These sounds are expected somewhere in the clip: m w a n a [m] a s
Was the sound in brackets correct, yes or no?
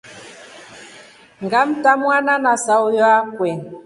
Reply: no